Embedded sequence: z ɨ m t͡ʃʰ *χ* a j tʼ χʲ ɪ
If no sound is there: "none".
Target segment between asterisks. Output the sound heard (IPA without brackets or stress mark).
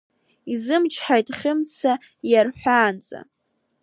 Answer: ħ